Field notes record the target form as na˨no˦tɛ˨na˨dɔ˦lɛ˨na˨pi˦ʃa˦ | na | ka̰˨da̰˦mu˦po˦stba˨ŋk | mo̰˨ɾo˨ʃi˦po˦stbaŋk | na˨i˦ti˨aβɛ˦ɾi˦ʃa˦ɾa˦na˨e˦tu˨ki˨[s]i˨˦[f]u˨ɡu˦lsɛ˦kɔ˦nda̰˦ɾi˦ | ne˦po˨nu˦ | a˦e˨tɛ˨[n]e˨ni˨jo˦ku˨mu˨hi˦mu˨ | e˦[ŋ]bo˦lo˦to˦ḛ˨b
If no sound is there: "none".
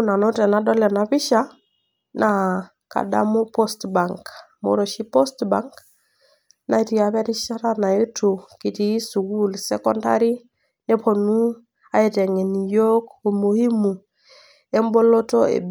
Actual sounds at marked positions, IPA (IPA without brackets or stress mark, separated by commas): t, s, ŋ, m